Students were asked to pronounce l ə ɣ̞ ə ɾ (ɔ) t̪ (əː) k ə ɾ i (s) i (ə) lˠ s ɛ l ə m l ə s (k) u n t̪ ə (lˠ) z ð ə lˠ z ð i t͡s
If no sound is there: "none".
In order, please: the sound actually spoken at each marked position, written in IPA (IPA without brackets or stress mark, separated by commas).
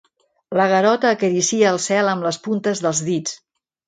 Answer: ɔ, əː, s, əː, p, none